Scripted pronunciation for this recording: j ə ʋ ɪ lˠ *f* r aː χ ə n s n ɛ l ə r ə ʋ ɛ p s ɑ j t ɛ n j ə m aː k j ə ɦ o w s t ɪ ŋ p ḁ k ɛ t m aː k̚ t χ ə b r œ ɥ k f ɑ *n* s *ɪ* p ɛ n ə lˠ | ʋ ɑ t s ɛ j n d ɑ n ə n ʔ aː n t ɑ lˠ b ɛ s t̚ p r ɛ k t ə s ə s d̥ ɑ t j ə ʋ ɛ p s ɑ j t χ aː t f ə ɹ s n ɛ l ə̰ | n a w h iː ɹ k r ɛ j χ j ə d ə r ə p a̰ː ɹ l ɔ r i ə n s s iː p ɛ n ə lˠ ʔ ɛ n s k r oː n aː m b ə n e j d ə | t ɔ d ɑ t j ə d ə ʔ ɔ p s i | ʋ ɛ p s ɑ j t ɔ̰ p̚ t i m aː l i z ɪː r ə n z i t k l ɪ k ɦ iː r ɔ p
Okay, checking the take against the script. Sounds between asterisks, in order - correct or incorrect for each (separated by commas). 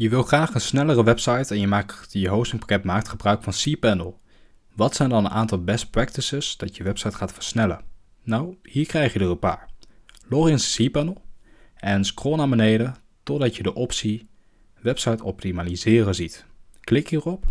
incorrect, correct, incorrect